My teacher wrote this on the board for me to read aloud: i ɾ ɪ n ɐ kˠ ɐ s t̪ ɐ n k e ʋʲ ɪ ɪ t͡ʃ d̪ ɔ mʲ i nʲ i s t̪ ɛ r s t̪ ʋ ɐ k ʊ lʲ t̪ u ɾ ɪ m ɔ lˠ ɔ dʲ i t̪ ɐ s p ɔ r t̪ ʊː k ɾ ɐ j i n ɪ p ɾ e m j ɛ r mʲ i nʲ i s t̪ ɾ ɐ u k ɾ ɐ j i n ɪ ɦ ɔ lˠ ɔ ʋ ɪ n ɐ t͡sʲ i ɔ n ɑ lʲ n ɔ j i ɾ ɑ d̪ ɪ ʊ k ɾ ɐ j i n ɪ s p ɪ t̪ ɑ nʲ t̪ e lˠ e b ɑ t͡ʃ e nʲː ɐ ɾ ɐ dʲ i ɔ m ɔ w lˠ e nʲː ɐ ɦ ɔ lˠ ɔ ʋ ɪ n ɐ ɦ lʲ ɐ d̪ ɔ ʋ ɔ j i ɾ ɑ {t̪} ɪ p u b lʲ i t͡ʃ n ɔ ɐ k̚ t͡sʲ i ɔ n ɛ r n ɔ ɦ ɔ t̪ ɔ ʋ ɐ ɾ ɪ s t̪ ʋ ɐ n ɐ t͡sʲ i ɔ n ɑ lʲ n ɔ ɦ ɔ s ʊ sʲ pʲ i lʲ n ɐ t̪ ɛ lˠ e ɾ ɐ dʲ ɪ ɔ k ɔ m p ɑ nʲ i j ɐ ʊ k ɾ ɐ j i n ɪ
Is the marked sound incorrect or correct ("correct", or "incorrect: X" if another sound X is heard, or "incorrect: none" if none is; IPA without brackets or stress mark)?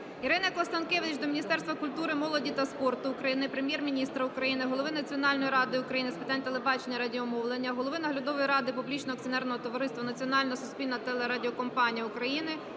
incorrect: d̪